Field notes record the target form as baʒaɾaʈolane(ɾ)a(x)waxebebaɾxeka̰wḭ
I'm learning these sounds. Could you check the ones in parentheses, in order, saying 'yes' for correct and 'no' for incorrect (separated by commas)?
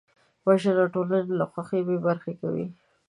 no, yes